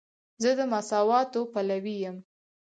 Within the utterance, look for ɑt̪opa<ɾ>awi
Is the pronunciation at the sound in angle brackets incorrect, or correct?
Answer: incorrect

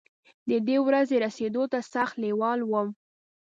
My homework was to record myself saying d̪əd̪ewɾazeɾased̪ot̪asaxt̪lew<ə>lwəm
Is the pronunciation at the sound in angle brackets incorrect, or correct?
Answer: incorrect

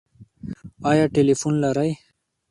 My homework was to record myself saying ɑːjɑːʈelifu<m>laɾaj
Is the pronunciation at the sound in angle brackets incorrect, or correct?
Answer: incorrect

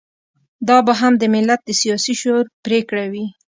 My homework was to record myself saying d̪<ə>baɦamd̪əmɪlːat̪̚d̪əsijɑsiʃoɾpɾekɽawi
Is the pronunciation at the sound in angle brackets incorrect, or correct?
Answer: incorrect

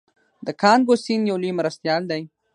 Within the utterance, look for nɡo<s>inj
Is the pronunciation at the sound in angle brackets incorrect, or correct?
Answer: correct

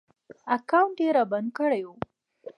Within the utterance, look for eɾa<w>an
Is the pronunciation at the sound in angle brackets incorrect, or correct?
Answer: incorrect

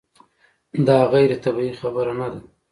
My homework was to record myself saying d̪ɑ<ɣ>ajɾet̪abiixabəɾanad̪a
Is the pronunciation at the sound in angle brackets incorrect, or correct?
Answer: correct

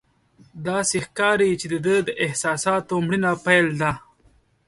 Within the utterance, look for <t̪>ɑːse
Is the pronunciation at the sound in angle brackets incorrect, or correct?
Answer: incorrect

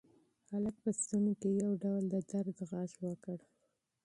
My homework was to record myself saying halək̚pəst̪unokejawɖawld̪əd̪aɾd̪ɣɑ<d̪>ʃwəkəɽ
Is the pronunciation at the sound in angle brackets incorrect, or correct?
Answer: incorrect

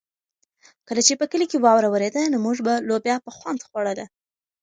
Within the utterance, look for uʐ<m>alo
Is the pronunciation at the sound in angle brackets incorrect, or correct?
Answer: incorrect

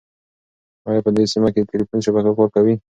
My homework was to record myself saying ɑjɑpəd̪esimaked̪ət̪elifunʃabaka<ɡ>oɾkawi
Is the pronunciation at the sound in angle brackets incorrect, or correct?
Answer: incorrect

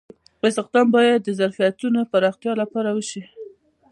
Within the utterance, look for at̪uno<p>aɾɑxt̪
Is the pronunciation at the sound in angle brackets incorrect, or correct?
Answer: correct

